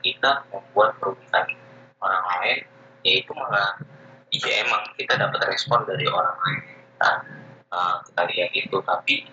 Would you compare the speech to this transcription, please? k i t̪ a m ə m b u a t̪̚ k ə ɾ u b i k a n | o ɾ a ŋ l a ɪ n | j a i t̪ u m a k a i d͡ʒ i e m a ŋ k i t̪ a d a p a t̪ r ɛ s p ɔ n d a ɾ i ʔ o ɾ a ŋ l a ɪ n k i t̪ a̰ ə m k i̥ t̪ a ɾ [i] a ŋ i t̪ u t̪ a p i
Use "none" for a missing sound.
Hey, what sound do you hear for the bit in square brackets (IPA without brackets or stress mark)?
i